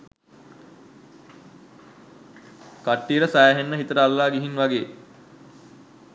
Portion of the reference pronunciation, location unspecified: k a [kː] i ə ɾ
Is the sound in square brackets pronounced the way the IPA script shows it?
no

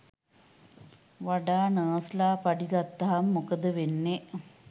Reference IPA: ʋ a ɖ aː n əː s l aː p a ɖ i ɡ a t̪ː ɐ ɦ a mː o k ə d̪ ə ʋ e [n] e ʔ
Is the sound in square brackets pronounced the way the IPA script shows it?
no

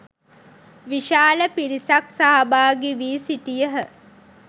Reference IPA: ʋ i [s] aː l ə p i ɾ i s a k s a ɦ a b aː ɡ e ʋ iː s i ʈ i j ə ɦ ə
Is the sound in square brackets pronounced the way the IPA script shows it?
no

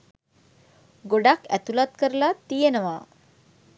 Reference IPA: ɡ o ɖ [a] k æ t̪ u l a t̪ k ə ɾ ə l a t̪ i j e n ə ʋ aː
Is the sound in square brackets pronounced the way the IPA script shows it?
yes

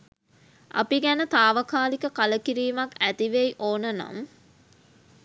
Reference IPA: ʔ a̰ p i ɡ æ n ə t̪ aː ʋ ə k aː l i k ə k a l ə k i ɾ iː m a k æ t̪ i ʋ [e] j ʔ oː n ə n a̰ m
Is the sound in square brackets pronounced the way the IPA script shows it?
yes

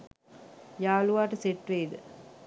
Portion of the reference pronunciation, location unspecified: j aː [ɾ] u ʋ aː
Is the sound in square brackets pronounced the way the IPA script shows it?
no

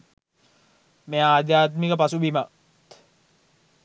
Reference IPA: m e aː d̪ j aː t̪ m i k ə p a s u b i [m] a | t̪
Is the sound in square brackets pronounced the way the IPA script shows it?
yes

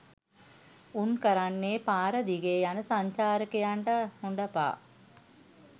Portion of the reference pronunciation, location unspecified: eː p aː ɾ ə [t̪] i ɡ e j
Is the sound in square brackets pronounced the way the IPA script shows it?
no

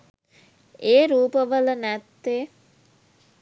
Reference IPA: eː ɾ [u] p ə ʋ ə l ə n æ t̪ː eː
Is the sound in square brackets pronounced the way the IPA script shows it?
no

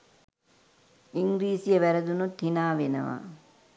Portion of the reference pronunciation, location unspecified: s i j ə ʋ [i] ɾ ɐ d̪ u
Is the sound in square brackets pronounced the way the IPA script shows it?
no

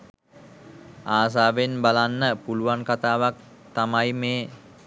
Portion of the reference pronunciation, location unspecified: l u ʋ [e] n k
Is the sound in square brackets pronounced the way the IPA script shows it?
no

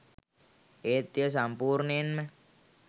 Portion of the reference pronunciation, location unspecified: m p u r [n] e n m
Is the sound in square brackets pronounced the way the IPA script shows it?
yes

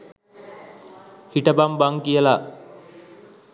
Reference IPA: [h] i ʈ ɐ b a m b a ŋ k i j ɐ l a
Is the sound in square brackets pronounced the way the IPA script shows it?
yes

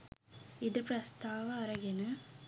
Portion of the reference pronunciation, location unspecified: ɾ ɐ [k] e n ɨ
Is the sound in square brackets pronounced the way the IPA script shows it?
no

